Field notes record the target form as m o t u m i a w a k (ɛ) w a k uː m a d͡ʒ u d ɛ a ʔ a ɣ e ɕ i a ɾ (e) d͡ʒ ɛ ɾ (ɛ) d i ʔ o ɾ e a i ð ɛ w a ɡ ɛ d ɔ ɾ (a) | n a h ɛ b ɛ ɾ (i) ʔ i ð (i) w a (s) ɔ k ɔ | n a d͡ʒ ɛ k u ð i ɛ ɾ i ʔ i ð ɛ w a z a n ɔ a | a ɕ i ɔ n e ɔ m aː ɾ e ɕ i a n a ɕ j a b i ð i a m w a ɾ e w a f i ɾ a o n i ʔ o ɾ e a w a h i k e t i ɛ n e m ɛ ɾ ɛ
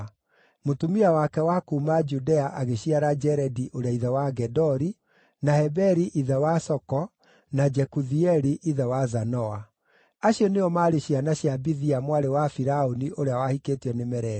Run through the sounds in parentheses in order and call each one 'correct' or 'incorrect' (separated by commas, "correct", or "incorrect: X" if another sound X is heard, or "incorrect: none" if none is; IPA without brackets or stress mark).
correct, incorrect: a, correct, incorrect: i, correct, incorrect: ɛ, correct